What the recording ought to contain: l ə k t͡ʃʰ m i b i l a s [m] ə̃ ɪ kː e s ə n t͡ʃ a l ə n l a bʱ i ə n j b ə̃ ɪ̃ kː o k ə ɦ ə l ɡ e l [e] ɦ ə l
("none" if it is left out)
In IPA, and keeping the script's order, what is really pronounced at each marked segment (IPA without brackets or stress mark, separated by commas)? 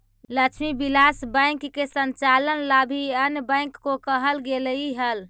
b, i